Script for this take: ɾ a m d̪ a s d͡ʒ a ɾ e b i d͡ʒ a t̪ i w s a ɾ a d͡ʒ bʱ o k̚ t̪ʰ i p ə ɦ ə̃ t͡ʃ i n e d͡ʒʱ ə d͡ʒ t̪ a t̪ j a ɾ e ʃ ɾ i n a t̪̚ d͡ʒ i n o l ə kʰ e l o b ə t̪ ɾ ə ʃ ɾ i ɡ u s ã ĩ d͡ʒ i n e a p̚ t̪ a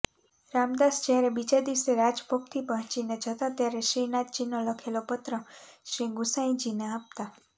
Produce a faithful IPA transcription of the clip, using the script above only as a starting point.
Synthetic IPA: ɾ a m d̪ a s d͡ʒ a ɾ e b i d͡ʒ a d̪ i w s e ɾ a d͡ʒ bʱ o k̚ t̪ʰ i p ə ɦ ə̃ t͡ʃ i n e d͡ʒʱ ə t̪ a t̪ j a ɾ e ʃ ɾ i n a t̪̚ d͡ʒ i n o l ə kʰ e l o p ə t̪ ɾ ə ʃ ɾ i ɡ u s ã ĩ d͡ʒ i n e a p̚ t̪ a